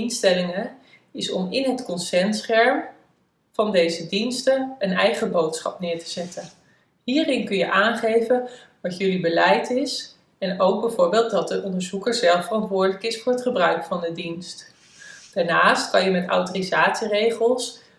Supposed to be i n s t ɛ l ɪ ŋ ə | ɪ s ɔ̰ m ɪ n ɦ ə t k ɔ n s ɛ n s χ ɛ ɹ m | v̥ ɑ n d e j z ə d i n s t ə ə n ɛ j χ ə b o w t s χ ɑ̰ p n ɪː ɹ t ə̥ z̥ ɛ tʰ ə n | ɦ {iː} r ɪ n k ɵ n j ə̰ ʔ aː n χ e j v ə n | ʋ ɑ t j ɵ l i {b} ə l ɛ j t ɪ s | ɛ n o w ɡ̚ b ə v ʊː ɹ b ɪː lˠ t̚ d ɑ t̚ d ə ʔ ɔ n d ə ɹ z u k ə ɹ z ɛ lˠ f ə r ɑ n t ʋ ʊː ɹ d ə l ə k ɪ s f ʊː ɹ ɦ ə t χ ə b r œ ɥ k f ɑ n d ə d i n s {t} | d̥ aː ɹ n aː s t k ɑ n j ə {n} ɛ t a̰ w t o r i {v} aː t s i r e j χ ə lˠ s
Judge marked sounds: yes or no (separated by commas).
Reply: yes, yes, yes, no, no